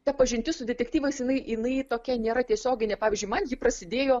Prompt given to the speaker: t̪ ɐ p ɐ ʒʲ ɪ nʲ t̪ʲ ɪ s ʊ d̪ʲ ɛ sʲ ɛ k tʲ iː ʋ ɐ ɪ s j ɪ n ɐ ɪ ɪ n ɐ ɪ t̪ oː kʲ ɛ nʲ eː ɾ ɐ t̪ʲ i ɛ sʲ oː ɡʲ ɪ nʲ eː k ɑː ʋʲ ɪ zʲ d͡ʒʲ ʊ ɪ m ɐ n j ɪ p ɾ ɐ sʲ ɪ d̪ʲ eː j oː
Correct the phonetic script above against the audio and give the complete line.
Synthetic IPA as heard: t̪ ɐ p ɐ ʒʲ ɪ nʲ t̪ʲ ɪ s ʊ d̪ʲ ɛ tʲ ɛ k tʲ iː ʋ ɐ ɪ s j ɪ n ɐ ɪ ɪ n ɐ ɪ t̪ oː kʲ ɛ nʲ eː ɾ ɐ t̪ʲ i ɛ sʲ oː ɡʲ ɪ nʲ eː p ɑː ʋʲ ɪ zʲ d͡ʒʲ ʊ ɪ m ɐ n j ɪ p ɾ ɐ sʲ ɪ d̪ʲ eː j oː